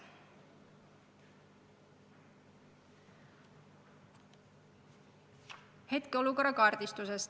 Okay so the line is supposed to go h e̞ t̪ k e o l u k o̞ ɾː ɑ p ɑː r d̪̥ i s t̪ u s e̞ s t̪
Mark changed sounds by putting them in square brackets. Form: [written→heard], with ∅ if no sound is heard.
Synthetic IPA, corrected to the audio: h e̞ t̪ k e o l u k o̞ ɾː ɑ [p→k] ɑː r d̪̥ i s t̪ u s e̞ s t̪